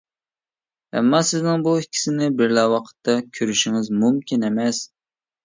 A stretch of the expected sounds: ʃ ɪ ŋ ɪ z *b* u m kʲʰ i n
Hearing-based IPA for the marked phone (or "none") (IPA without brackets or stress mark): m